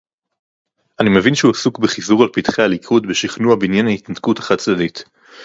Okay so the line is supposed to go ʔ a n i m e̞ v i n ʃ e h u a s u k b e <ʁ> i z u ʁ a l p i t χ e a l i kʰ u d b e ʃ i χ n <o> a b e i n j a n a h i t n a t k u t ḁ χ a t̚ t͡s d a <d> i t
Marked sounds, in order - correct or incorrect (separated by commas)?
incorrect, incorrect, correct